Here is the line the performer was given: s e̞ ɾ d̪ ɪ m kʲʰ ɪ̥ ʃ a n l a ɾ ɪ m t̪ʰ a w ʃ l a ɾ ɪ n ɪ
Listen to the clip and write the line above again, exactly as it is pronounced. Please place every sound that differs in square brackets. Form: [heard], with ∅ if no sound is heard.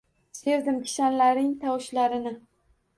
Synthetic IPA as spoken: s e̞ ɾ d̪ ɪ m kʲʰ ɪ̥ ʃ a n l a ɾ ɪ [ŋ] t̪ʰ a w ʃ l a ɾ ɪ n ɪ